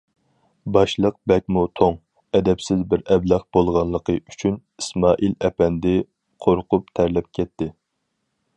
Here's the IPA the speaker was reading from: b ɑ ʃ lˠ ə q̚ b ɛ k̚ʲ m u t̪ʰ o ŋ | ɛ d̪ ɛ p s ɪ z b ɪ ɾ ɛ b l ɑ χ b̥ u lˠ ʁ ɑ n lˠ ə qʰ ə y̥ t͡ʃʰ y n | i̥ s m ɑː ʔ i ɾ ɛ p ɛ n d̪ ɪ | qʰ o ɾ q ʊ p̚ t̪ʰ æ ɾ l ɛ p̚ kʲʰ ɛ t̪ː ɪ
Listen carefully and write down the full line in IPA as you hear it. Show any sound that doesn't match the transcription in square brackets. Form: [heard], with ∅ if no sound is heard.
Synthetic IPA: b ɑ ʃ lˠ ə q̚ b ɛ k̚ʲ m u t̪ʰ o ŋ | ɛ d̪ ɛ p s ɪ z b ɪ ɾ ɛ b l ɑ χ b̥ [o] lˠ ʁ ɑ n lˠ ə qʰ ə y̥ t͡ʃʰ y n | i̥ s m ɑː ʔ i [l] ɛ p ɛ n d̪ ɪ | qʰ o ɾ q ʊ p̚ t̪ʰ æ ɾ l ɛ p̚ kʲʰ ɛ t̪ː ɪ

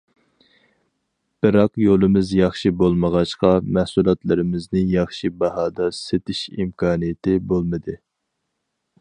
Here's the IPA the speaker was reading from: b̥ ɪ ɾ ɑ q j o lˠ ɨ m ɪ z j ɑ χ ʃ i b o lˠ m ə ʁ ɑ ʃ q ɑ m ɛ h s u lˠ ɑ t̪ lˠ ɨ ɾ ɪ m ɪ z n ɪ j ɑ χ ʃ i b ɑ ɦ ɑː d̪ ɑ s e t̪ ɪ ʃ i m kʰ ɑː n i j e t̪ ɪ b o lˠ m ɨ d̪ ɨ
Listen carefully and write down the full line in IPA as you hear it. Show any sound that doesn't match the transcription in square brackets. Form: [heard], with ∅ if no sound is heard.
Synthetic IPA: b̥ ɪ ɾ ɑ q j o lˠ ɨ m ɪ z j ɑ χ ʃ i b o lˠ m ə ʁ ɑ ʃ q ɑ m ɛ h s u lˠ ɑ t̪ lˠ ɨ ɾ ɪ m ɪ z n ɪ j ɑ χ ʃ i b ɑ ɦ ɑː d̪ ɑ s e t̪ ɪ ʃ i m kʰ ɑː n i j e t̪ ɪ b o lˠ m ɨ d̪ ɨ

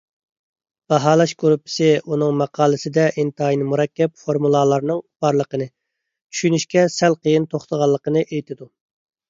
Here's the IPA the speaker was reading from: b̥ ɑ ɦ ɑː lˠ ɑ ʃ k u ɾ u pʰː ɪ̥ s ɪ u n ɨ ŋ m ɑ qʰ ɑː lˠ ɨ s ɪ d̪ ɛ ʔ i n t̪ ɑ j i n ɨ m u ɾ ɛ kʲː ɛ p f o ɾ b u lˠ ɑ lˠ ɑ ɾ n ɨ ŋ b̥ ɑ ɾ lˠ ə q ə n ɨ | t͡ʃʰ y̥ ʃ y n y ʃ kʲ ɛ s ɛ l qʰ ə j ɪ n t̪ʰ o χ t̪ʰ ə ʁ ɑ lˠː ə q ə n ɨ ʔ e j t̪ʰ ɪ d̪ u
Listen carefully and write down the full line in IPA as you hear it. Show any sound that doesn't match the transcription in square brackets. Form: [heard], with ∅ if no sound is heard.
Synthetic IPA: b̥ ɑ ɦ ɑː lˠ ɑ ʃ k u ɾ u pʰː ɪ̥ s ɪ u n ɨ ŋ m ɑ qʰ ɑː lˠ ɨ s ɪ d̪ ɛ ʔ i n t̪ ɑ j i n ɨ m u ɾ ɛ kʲː ɛ p f o ɾ [m] u lˠ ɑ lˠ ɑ ɾ n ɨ ŋ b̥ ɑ ɾ lˠ ə q ə n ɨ | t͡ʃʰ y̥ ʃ y n y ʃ kʲ ɛ s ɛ l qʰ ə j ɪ n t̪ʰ o χ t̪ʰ ə ʁ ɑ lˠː ə q ə n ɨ ʔ e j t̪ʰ ɪ d̪ u

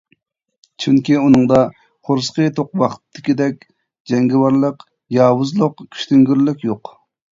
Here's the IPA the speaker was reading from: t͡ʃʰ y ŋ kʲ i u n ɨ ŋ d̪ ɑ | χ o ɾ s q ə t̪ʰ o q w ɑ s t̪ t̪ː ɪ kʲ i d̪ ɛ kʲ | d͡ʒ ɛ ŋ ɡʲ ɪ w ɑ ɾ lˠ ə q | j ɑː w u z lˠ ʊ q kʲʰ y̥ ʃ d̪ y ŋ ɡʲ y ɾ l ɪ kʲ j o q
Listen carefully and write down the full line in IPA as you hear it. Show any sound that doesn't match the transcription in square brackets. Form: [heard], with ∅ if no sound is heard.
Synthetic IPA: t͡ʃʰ y ŋ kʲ i u n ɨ ŋ d̪ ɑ | χ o ɾ s q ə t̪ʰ o q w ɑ [χ] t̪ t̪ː ɪ kʲ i d̪ ɛ kʲ | d͡ʒ ɛ ŋ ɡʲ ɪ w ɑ ɾ lˠ ə q | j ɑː w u z lˠ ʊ q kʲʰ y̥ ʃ [t̪] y ŋ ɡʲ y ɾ l ɪ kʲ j o q

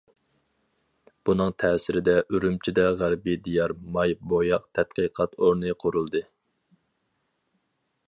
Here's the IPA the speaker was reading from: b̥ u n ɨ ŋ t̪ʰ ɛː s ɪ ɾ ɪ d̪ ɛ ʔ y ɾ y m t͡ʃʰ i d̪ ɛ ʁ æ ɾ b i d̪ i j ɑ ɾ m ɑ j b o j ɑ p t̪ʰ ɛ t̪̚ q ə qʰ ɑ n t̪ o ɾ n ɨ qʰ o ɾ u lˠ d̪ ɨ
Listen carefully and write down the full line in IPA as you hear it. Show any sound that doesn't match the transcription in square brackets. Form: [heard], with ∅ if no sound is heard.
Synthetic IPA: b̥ u n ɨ ŋ t̪ʰ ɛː s ɪ ɾ ɪ d̪ ɛ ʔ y ɾ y m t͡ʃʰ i d̪ ɛ ʁ æ ɾ b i d̪ i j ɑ ɾ m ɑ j b o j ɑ [q] t̪ʰ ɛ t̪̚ q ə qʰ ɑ [∅] t̪ o ɾ n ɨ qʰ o ɾ u lˠ d̪ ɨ

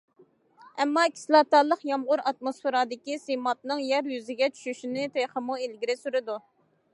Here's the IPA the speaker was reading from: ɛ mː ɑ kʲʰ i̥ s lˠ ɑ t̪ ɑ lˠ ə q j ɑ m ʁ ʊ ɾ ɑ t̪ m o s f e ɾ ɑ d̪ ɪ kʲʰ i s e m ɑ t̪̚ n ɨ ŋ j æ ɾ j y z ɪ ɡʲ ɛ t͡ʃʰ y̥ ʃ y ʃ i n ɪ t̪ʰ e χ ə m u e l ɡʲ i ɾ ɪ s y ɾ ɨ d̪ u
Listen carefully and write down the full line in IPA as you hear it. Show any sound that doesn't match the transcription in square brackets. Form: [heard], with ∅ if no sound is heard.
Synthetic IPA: ɛ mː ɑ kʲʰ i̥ s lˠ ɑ t̪ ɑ lˠ ə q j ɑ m ʁ ʊ ɾ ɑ t̪ m o s f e ɾ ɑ d̪ ɪ [kʲ] i s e m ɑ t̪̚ n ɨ ŋ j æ ɾ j y z ɪ ɡʲ ɛ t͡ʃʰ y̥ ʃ y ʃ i n ɪ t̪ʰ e χ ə m u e l ɡʲ i ɾ ɪ s y ɾ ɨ d̪ u

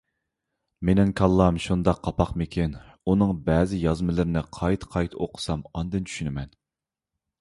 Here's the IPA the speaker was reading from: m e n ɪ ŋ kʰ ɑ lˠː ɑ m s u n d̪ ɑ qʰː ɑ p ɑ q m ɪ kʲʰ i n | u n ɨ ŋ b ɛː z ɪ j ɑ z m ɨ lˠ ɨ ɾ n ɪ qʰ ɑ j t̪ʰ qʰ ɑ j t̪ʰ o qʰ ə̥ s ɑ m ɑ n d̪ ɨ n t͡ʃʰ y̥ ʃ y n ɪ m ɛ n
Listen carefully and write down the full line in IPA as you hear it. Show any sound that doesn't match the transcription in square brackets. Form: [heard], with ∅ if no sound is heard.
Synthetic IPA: m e n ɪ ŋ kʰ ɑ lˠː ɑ m [ʃ] u n d̪ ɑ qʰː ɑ p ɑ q m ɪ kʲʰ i n | u n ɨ ŋ b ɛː z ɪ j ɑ z m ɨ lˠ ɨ ɾ n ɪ qʰ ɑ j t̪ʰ qʰ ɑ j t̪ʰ o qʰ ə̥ s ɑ m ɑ n d̪ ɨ n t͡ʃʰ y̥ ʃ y n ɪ m ɛ n

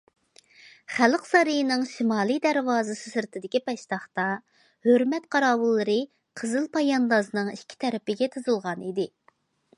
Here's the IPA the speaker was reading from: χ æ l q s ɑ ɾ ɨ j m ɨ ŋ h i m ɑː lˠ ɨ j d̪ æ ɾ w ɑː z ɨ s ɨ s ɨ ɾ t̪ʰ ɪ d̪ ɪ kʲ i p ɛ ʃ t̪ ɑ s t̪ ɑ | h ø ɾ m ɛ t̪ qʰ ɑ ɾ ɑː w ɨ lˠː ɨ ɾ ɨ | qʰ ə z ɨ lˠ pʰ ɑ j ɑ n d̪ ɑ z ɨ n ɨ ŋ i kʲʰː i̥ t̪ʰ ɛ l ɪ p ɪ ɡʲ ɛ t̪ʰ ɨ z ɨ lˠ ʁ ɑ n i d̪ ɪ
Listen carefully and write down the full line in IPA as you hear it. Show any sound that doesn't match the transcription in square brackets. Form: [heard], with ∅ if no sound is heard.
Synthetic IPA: χ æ l q s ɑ ɾ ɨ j [n] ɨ ŋ [ʃ] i m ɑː lˠ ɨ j d̪ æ ɾ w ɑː z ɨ s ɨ s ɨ ɾ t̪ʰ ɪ d̪ ɪ kʲ i p ɛ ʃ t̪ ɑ [χ] t̪ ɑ | h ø ɾ m ɛ t̪ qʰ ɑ ɾ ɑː w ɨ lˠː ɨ ɾ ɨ | qʰ ə z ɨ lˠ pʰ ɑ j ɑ n d̪ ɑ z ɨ n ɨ ŋ i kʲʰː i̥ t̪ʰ ɛ [ɾ] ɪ p ɪ ɡʲ ɛ t̪ʰ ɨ z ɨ lˠ ʁ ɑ n i d̪ ɪ

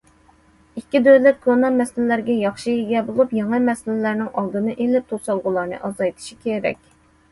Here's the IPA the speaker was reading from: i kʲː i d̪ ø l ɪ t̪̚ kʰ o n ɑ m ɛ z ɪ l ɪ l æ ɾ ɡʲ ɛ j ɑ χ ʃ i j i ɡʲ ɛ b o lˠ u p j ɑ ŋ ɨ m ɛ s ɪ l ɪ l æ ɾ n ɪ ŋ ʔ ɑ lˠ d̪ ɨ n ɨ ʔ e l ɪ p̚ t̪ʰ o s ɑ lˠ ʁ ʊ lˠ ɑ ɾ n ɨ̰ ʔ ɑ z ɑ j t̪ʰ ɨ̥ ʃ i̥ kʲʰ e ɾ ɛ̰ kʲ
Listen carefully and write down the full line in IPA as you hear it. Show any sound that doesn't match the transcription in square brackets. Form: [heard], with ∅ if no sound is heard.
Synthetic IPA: i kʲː i d̪ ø l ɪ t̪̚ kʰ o n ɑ m ɛ [s] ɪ l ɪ l æ ɾ ɡʲ ɛ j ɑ χ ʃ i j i ɡʲ ɛ b o lˠ u p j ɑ ŋ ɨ m ɛ s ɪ l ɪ l æ ɾ n ɪ ŋ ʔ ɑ lˠ d̪ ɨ n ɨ ʔ e l ɪ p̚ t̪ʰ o s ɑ lˠ ʁ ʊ lˠ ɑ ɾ n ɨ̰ ʔ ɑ z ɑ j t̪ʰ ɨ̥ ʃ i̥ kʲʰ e ɾ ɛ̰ kʲ

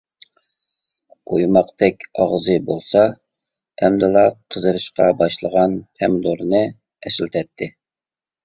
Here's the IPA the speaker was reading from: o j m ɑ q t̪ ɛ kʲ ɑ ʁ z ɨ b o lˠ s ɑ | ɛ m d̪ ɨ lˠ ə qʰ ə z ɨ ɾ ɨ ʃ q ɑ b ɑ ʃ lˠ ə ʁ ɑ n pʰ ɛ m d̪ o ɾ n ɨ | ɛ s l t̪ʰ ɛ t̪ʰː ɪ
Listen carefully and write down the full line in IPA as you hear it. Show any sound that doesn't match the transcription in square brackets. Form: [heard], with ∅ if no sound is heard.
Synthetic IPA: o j m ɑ q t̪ ɛ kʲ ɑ ʁ z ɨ b o lˠ s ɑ | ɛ m d̪ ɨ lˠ [ɑ] qʰ ə z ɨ ɾ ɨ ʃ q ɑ b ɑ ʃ lˠ ə ʁ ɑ n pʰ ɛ m d̪ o ɾ n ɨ | ɛ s l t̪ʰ ɛ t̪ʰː ɪ

